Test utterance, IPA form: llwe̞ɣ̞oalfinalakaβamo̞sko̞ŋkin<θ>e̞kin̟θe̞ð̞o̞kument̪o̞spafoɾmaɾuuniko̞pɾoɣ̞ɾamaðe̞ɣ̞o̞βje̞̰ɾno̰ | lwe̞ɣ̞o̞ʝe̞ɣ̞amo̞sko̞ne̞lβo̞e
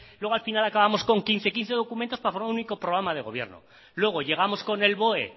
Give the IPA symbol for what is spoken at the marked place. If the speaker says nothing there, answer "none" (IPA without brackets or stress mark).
θ